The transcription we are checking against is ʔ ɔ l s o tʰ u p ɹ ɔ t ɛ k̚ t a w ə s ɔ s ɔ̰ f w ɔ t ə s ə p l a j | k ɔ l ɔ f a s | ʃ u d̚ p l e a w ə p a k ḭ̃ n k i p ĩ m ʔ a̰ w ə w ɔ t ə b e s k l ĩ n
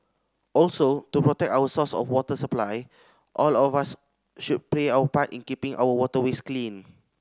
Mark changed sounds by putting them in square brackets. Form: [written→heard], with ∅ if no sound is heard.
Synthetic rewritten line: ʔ ɔ l s o [tʰ→t] u p ɹ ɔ t ɛ k̚ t a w ə s ɔ s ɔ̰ f w ɔ t ə s ə p l a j | [k→ʔ] ɔ l ɔ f a s | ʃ u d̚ p l e a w ə p a [k→t] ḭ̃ n k i p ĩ [m→ŋ] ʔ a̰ w ə w ɔ t ə [b→w] e s k l ĩ n